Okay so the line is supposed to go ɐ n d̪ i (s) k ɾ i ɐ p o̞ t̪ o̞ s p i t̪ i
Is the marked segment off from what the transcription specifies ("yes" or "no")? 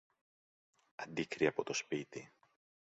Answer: yes